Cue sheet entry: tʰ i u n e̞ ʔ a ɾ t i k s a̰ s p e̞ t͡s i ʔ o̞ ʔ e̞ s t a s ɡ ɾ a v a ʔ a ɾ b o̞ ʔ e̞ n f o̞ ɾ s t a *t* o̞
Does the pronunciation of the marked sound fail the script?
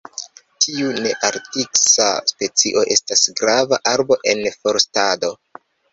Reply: yes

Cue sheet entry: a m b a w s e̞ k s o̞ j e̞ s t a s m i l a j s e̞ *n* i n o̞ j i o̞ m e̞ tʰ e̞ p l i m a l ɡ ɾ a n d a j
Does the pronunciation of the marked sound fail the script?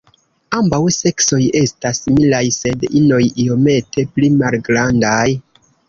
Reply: yes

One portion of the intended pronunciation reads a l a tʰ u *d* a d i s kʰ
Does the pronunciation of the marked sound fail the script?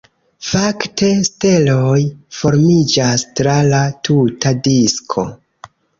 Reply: yes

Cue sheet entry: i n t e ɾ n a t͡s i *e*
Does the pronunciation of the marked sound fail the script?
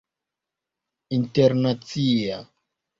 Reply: yes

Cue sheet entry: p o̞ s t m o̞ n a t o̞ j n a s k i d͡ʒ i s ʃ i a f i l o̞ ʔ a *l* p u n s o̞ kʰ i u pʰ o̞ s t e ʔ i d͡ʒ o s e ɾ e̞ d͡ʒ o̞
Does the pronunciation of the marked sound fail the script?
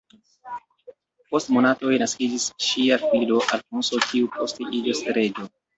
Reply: no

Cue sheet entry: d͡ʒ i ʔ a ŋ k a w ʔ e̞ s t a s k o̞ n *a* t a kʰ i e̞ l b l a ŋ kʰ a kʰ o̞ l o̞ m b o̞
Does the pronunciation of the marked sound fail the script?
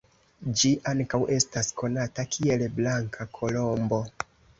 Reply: no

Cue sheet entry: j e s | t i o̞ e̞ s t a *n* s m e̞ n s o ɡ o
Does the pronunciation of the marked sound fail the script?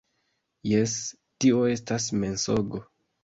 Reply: yes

